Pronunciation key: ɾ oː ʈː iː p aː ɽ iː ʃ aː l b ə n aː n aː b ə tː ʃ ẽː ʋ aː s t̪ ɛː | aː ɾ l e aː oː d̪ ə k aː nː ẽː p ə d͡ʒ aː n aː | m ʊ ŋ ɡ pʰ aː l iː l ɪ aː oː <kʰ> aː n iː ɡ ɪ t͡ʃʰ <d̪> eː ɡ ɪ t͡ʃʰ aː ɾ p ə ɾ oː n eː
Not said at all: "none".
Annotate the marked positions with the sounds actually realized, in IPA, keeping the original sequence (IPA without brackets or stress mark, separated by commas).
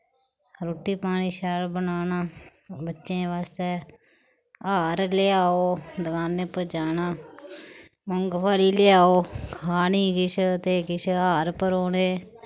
kʰ, t̪